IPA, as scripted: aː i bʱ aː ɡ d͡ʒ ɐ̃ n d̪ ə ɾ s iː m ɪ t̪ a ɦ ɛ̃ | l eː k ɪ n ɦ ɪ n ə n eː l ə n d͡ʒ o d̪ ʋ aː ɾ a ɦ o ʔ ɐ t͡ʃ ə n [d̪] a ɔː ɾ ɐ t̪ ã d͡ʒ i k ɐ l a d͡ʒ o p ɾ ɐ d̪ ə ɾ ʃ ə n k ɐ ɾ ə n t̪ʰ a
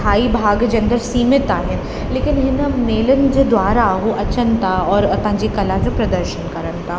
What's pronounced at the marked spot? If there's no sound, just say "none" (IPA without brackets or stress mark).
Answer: t̪